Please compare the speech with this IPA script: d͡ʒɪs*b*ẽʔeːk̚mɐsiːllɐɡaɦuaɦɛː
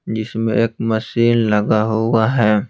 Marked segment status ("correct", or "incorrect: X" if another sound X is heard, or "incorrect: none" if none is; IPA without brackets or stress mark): incorrect: m